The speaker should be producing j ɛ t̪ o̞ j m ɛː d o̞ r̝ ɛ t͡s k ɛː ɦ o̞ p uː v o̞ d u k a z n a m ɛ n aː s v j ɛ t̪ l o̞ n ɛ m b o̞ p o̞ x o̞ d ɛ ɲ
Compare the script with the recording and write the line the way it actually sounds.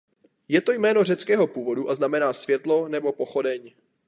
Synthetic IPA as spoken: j ɛ t̪ o̞ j m ɛː n o̞ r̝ ɛ t͡s k ɛː ɦ o̞ p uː v o̞ d u ʔ a z n a m ɛ n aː s v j ɛ t̪ l o̞ n ɛ b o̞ p o̞ x o̞ d ɛ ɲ